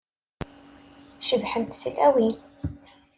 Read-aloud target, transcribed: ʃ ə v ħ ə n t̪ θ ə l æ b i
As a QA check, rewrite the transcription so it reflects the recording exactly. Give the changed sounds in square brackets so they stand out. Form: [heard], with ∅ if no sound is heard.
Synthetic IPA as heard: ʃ ə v ħ ə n t̪ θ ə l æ [w] i